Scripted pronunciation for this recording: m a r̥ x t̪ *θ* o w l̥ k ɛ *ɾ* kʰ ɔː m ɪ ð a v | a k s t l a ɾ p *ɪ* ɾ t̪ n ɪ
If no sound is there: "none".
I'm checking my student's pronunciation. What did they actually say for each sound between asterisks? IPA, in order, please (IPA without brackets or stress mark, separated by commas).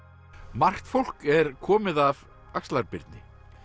f, ɾ, ɪ